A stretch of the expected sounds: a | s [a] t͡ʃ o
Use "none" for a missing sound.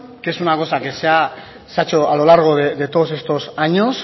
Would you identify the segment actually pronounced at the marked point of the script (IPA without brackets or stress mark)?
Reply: a